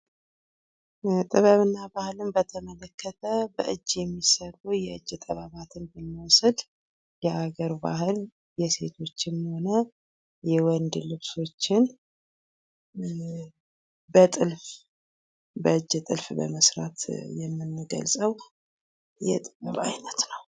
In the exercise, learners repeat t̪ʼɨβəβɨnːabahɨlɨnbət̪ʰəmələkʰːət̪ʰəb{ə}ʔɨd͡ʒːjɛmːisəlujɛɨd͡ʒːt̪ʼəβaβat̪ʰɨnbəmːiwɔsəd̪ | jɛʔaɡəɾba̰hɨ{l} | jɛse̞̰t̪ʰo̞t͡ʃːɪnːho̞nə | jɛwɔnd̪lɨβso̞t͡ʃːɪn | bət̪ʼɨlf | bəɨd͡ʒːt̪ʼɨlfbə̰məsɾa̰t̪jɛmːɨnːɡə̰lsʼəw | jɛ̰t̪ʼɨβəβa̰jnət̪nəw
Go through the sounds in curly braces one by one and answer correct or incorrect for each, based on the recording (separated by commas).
correct, correct